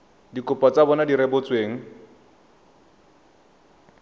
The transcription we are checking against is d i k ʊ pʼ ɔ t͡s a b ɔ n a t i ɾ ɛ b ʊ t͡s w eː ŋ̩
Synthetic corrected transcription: d i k ʊ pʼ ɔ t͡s a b ɔ n a d i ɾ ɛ b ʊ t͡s w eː ŋ̩

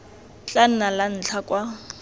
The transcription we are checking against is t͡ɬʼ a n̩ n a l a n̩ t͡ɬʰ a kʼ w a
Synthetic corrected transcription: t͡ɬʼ a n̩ n a l a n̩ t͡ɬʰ a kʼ w a

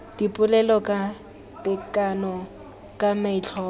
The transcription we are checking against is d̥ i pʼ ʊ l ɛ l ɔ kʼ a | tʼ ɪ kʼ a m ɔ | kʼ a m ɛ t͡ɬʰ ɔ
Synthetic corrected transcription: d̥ i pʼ ʊ l ɛ l ɔ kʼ a | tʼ ɪ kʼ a n ɔ | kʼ a m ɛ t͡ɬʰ ɔ

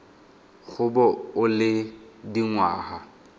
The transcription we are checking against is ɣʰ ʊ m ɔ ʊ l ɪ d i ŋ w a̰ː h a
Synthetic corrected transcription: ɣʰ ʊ b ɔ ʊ l ɪ d i ŋ w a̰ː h a

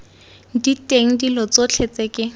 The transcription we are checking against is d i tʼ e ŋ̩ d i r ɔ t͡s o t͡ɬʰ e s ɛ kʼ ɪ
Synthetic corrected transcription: d i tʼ e ŋ̩ d i l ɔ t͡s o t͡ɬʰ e t͡s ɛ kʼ ɪ

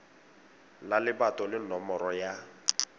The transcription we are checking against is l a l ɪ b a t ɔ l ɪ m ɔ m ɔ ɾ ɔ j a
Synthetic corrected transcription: l a l ɪ b a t ɔ l ɪ n ɔ m ɔ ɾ ɔ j a

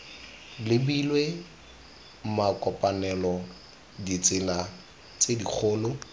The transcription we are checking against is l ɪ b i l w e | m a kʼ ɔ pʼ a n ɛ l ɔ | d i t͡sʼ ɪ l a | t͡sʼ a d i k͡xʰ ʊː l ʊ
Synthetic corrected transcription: l ɪ b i l w e | m a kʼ ɔ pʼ a n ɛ l ɔ | d i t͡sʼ ɪ l a | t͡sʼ e d i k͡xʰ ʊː l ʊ

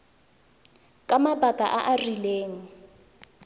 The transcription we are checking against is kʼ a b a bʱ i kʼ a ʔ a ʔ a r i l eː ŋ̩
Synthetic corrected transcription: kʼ a m a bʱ a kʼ a ʔ a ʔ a r i l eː ŋ̩

